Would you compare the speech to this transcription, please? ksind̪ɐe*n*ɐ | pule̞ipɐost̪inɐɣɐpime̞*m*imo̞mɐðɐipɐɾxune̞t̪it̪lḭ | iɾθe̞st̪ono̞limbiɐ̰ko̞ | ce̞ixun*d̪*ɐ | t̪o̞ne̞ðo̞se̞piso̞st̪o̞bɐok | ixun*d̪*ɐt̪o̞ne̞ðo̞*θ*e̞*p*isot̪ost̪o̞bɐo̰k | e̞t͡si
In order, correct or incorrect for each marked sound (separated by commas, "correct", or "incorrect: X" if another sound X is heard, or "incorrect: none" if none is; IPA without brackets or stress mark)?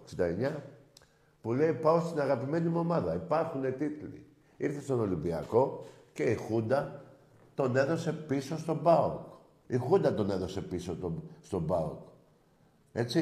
incorrect: ɲ, incorrect: n, correct, correct, incorrect: s, correct